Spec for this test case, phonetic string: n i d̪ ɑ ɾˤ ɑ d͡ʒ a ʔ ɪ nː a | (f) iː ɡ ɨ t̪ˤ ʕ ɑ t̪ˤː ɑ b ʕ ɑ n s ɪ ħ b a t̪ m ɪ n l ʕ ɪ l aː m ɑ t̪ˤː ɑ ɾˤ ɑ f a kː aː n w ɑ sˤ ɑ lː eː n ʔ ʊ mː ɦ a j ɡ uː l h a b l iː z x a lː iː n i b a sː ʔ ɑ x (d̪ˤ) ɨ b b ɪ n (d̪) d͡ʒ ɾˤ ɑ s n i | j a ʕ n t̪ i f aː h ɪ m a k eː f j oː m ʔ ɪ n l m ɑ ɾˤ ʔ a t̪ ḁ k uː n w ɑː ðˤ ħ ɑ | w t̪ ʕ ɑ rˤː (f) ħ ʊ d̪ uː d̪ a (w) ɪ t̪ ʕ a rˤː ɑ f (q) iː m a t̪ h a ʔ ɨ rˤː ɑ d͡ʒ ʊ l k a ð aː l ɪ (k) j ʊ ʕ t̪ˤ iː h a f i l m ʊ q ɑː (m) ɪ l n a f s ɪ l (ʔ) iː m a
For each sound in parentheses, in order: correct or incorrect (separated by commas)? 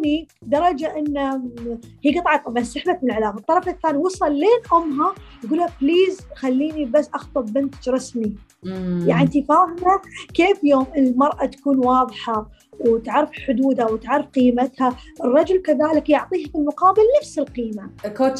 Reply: incorrect, incorrect, incorrect, correct, correct, correct, correct, incorrect, incorrect